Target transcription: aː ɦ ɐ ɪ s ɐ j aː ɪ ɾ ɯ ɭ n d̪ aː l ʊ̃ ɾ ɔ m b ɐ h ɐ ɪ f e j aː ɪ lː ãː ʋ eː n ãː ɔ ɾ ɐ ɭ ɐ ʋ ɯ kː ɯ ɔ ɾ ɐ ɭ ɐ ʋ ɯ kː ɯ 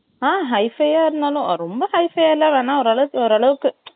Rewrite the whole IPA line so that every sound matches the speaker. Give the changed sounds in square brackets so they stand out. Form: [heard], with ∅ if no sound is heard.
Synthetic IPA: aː ɦ ɐ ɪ [f] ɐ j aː ɪ ɾ ɯ [∅] n d̪ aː l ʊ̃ ɾ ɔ m b ɐ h ɐ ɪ f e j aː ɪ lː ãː ʋ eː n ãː ɔ ɾ ɐ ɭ ɐ ʋ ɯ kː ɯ ɔ ɾ ɐ ɭ ɐ ʋ ɯ kː ɯ